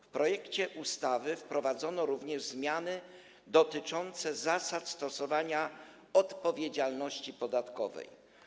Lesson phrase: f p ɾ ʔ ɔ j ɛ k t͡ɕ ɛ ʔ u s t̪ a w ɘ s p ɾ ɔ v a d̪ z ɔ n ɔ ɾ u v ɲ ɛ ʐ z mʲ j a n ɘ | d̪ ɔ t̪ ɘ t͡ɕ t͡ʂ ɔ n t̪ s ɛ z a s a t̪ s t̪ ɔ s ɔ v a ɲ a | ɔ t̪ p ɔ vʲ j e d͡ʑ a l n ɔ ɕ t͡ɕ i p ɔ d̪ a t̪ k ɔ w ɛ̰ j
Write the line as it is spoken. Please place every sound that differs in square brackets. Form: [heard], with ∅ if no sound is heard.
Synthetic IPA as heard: f p ɾ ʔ ɔ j ɛ k t͡ɕ ɛ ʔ u s t̪ a [v] ɘ [f] p ɾ ɔ v a d̪ z ɔ n ɔ ɾ u v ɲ ɛ ʐ z mʲ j a n ɘ | d̪ ɔ t̪ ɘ [∅] t͡ʂ ɔ n t̪ s ɛ z a s a t̪ s t̪ ɔ s ɔ v a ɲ a | ɔ t̪ p ɔ vʲ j e d͡ʑ a l n ɔ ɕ t͡ɕ i p ɔ d̪ a t̪ k ɔ [v] ɛ̰ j